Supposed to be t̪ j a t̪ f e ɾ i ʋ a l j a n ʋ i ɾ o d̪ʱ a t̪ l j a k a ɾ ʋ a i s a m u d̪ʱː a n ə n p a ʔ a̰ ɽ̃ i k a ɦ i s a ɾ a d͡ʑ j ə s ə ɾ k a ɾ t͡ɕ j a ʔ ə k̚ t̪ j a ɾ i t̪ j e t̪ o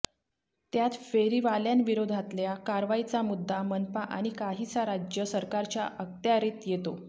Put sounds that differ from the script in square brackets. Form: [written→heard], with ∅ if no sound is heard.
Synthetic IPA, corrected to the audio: t̪ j a t̪ f e ɾ i ʋ a l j a n ʋ i ɾ o d̪ʱ a t̪ l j a k a ɾ ʋ a i [s→t͡s] a m u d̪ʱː a [n→m] ə n p a ʔ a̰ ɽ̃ i k a ɦ i [s→t͡s] a ɾ a d͡ʑ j ə s ə ɾ k a ɾ t͡ɕ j a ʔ ə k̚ t̪ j a ɾ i t̪ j e t̪ o